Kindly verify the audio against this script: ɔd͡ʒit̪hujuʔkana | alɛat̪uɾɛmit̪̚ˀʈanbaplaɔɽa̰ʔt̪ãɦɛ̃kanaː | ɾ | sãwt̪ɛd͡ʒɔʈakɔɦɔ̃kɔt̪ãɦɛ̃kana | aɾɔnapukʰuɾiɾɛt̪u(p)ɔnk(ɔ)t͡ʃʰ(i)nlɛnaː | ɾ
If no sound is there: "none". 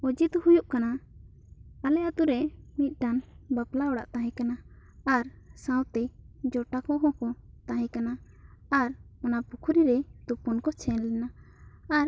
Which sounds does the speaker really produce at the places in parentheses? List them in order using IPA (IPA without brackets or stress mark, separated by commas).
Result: p, ɔ, ɛ